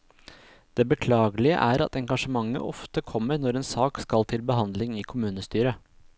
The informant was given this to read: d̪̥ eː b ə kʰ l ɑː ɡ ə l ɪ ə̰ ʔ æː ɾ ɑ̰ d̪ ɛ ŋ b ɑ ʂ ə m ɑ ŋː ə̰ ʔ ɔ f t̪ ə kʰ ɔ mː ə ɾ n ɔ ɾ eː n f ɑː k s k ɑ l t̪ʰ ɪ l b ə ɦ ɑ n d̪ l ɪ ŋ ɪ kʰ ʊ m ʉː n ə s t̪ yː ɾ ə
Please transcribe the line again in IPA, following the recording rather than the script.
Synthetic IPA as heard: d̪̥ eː b ə kʰ l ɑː ɡ ə l ɪ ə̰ ʔ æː ɾ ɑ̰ t̪ ɛ ŋ ɡ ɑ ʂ ə m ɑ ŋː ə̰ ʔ ɔ f t̪ ə kʰ ɔ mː ə ɾ n ɔ ɾ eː n s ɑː k s k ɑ l t̪ʰ ɪ l b ə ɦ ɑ n d̪ l ɪ ŋ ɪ kʰ ʊ m ʉː n ə s t̪ yː ɾ ə